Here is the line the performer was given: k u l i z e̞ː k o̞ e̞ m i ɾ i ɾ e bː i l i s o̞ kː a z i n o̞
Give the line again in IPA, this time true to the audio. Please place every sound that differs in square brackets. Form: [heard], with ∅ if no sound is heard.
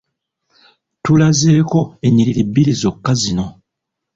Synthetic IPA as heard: [t] u l [a] z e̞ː k o̞ e̞ [ɲ] i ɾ i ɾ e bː i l i [z] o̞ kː a z i n o̞